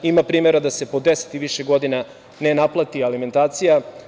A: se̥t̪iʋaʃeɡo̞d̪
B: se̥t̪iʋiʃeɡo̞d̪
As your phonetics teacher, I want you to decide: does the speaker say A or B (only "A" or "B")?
B